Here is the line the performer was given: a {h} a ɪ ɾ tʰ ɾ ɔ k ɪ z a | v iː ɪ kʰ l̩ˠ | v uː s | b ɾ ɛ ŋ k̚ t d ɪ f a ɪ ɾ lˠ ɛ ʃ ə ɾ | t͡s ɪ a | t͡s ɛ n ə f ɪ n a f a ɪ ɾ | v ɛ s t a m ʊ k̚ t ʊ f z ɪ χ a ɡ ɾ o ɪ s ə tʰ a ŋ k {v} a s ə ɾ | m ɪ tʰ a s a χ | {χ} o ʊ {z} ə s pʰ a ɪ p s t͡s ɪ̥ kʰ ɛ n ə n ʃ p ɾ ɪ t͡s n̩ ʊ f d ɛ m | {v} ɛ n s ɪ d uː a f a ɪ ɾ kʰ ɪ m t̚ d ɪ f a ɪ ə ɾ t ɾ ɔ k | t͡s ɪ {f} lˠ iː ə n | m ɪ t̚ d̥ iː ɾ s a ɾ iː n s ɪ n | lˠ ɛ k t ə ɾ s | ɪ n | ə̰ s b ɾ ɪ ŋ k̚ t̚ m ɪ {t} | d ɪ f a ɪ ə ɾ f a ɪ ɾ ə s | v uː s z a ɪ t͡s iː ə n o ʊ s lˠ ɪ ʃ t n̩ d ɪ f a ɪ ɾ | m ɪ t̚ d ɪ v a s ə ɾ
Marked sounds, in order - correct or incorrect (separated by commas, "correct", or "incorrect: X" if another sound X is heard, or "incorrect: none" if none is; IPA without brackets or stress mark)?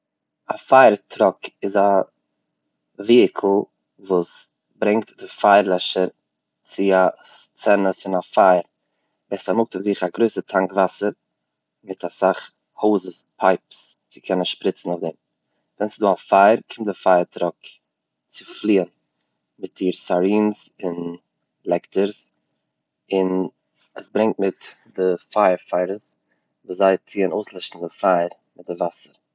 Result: incorrect: f, correct, incorrect: h, correct, correct, correct, correct